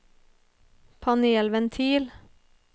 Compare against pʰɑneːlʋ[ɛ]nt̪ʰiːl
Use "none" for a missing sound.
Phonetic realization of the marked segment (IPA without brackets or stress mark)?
ɛ